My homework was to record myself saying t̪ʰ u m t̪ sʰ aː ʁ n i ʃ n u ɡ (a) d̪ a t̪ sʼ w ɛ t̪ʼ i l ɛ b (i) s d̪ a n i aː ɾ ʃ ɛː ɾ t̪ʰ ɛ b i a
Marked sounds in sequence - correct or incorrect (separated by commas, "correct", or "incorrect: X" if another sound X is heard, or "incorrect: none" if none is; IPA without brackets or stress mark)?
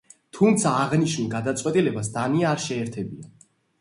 correct, incorrect: a